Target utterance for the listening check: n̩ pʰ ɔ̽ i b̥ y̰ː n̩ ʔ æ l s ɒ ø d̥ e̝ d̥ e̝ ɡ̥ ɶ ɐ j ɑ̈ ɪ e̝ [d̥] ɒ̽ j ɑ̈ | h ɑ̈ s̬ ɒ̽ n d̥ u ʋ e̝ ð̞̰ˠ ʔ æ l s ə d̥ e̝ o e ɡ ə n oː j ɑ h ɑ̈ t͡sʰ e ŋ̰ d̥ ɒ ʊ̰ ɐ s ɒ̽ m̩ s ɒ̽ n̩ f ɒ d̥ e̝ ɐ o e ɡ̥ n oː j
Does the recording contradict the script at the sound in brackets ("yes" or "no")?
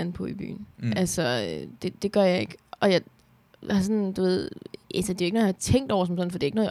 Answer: yes